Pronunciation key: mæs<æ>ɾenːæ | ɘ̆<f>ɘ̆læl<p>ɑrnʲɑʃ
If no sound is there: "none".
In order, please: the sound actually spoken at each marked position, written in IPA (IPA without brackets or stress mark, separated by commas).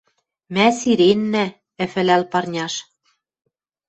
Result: i, f, p